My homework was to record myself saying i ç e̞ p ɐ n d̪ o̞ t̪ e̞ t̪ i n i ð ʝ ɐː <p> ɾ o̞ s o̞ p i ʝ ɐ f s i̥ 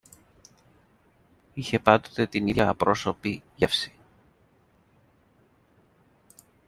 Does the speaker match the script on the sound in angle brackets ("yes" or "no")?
yes